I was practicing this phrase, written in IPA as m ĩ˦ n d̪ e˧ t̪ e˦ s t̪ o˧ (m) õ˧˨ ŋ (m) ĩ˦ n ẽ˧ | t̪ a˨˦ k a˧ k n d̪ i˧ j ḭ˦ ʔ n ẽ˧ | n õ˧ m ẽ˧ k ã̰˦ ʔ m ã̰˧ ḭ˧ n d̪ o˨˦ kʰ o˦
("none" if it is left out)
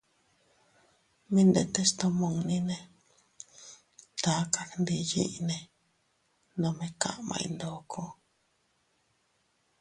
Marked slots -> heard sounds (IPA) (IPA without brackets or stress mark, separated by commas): m, n